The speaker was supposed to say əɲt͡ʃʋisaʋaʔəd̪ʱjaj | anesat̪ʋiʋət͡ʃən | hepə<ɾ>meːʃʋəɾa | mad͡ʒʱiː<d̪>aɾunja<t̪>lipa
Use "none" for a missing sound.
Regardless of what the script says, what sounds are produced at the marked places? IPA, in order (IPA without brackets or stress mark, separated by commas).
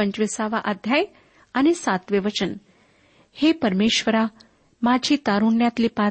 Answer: ɾ, t̪, t̪